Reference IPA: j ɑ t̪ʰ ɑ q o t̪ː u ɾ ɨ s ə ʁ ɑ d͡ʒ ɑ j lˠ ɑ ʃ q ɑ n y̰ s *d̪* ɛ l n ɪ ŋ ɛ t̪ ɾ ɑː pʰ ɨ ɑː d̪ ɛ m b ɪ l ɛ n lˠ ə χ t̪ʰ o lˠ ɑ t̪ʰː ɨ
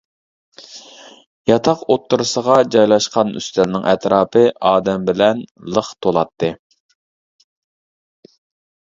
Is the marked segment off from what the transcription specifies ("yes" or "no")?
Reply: yes